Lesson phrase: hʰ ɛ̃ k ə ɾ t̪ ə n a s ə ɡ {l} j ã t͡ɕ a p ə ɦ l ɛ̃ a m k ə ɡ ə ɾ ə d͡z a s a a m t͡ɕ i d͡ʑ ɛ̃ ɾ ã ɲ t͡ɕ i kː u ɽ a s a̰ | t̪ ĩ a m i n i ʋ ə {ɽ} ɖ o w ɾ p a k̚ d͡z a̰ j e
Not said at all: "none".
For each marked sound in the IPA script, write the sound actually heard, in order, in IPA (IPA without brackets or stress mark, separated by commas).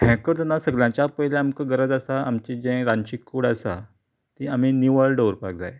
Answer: l, ɭ